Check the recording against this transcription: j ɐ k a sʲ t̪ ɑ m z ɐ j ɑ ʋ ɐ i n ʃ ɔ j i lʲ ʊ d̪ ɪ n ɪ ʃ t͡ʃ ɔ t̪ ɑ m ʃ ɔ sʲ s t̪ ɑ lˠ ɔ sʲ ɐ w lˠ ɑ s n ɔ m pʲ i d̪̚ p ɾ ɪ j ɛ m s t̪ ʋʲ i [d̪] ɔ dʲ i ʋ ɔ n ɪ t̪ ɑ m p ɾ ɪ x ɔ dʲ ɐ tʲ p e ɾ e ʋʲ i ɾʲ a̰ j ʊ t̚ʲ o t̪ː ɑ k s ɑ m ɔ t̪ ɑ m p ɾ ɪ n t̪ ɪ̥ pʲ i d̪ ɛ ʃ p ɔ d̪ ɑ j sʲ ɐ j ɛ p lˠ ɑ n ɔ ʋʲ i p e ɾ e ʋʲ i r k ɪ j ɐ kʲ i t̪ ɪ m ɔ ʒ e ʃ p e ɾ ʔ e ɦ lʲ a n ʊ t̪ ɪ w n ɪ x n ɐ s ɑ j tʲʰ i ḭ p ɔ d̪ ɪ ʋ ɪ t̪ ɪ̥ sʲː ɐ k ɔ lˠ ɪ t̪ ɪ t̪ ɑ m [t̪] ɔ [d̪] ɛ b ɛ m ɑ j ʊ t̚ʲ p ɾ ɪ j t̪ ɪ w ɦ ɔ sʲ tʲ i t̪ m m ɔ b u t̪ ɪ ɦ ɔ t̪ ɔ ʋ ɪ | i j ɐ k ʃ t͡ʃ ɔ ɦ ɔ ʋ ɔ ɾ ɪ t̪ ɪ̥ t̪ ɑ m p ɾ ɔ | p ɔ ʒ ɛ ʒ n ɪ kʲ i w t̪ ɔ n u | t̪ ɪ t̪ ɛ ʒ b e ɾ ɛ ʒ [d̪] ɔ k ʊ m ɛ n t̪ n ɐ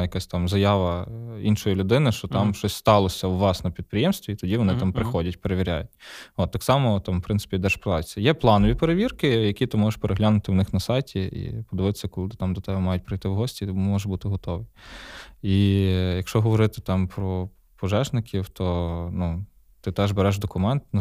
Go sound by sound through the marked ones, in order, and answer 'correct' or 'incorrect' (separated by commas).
incorrect, incorrect, incorrect, correct